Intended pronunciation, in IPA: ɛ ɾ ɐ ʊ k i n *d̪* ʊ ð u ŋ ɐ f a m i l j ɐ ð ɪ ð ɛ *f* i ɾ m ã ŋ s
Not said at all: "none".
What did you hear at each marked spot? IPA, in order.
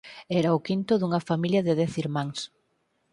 t̪, θ

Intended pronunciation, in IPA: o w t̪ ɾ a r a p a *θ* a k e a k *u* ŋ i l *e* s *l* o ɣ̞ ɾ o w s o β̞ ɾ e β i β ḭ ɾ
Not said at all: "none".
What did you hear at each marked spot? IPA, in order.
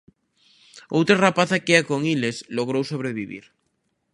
θ, o, e, l

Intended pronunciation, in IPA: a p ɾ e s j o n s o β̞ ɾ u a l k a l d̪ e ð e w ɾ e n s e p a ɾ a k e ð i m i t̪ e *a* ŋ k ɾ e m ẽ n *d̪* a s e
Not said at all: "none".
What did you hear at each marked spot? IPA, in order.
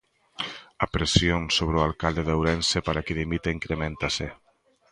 i, t̪

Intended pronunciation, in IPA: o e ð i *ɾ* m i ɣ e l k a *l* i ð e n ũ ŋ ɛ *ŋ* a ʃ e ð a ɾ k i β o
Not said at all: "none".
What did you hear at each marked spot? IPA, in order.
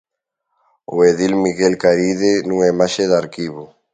l, ɾ, m

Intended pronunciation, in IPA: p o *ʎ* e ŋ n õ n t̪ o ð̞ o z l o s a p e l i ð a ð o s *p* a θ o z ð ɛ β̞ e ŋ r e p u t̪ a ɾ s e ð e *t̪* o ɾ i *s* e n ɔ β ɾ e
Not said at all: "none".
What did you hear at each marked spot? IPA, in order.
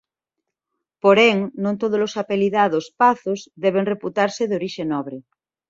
ɾ, p, none, ʃ

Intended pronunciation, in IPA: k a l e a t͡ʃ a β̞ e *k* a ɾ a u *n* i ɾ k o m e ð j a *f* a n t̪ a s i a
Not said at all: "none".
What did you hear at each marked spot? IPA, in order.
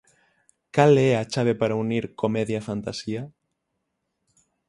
p, n, f

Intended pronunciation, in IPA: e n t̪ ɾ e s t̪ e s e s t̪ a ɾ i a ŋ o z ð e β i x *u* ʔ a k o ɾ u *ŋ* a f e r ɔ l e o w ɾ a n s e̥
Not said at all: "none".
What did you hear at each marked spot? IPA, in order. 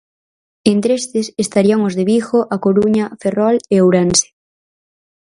o, ɲ

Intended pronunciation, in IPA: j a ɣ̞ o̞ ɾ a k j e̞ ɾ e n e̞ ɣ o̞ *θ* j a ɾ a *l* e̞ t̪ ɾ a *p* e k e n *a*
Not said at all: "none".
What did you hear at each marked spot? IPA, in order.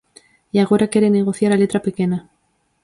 θ, l, p, a

